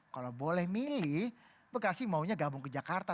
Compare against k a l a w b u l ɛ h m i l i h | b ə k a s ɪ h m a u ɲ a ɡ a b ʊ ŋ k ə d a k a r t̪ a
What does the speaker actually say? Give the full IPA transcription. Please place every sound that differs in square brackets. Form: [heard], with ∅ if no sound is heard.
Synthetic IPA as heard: k a l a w b [o] l ɛ h m i l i h | b ə k a s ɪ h m a u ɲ a ɡ a b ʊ ŋ k ə [d͡ʒ] a k a r t̪ a